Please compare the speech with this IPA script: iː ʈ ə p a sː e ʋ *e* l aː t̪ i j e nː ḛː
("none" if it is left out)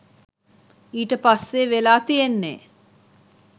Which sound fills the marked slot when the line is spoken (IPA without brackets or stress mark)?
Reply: e